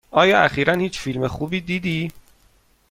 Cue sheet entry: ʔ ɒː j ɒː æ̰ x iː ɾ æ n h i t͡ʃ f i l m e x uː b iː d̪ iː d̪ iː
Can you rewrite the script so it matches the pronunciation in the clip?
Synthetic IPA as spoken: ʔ ɒː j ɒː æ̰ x iː ɾ æ n h iː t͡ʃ f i l m e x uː b iː d̪ iː d̪ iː